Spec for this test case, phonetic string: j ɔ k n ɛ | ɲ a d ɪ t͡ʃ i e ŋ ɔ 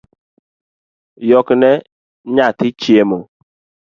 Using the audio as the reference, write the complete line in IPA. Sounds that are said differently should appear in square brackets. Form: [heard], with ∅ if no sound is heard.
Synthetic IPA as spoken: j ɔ k n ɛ | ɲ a [t] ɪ t͡ʃ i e [m] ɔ

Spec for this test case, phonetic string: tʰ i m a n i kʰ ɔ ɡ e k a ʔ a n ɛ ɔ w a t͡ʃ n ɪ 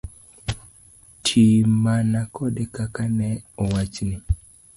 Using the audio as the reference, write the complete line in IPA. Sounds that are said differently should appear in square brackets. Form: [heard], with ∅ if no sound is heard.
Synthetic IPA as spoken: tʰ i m a n [a] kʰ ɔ [d] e k a [k] a n ɛ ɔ w a t͡ʃ n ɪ

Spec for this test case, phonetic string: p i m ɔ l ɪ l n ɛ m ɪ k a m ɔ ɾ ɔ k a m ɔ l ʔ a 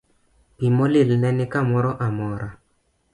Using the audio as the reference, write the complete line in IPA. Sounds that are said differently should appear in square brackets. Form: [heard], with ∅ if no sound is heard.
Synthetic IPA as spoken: p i m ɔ l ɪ l n ɛ [n] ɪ k a m ɔ ɾ ɔ [ʔ] a m ɔ [ɾ] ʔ a

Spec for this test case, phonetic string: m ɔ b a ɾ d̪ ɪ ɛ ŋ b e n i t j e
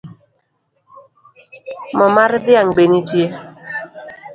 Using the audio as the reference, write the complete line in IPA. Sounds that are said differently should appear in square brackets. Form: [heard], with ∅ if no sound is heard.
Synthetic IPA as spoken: m ɔ [m] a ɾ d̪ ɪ [a] ŋ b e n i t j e

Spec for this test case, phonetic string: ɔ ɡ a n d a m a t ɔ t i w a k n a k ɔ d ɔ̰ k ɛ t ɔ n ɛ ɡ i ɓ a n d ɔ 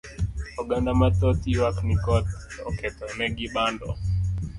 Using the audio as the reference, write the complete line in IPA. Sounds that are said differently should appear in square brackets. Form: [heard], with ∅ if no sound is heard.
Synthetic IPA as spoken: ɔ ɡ a n d a m a t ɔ t i w a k n [i] k ɔ [t] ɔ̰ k ɛ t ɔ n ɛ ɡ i ɓ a n d ɔ

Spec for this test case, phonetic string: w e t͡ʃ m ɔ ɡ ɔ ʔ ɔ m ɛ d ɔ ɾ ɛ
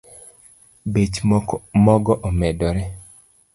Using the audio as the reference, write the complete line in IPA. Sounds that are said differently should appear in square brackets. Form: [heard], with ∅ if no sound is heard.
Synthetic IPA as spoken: [b] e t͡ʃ m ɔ ɡ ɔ ʔ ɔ m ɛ d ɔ ɾ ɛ

